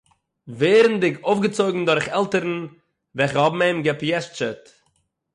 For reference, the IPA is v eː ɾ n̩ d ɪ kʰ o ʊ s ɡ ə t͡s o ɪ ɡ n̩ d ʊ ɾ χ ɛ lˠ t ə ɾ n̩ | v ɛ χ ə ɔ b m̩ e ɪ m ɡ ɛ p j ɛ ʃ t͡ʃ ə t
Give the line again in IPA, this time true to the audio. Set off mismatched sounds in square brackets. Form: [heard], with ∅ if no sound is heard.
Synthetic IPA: v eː ɾ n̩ d ɪ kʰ o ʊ [f] ɡ ə t͡s o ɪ ɡ [ŋ̩] d ʊ ɾ χ ɛ lˠ t ə ɾ n̩ | v ɛ χ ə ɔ b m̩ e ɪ m ɡ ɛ p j ɛ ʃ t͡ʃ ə t